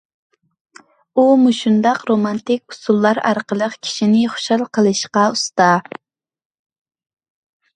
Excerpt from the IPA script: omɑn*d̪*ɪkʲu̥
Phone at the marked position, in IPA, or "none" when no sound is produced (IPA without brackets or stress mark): t̪